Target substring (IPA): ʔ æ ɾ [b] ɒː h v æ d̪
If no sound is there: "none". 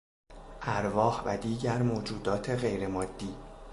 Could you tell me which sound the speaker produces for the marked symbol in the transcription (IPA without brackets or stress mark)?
v